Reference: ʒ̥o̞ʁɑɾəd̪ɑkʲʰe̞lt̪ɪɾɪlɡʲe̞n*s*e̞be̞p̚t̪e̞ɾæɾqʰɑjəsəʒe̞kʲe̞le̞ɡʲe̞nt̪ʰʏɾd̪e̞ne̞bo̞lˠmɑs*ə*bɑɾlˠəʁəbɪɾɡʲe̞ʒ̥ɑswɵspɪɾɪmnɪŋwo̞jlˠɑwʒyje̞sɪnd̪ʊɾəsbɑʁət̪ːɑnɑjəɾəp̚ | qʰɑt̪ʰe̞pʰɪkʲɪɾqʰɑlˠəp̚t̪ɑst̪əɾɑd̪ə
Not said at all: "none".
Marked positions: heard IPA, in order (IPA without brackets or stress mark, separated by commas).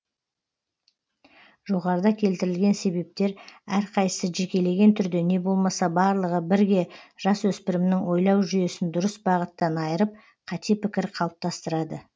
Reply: s, ɑ